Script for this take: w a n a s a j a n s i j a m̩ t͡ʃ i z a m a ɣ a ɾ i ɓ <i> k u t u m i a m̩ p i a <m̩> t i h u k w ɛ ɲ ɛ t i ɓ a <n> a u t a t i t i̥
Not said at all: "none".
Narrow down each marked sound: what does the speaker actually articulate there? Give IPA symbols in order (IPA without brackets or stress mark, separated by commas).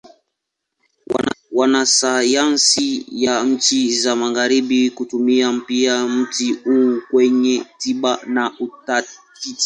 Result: i, m̩, n